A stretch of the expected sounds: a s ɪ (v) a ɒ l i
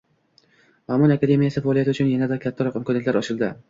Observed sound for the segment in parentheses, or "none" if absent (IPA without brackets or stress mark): f